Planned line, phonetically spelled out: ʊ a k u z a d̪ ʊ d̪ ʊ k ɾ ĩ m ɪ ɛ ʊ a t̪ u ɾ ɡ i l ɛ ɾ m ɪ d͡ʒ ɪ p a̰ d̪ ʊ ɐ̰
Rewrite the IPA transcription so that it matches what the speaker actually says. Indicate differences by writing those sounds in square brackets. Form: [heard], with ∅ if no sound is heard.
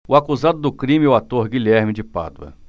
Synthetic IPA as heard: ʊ a k u z a d̪ ʊ d̪ ʊ k ɾ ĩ m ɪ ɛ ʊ a t̪ [o] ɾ ɡ i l ɛ ɾ m ɪ d͡ʒ ɪ p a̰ d̪ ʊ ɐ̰